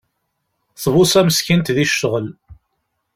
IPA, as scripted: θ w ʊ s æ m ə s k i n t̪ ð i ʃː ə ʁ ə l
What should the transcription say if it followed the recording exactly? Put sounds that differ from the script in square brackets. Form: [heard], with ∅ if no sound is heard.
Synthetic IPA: θ [v] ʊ s æ m ə s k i n t̪ ð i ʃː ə ʁ ə l